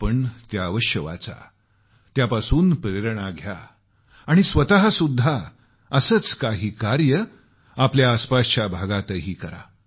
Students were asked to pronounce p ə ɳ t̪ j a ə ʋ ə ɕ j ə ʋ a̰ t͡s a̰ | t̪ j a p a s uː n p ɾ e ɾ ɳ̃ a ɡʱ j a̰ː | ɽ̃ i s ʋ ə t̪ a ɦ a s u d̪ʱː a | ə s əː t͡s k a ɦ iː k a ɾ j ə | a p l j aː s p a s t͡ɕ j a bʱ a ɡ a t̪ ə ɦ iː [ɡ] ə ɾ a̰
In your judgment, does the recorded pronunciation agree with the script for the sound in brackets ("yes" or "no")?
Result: no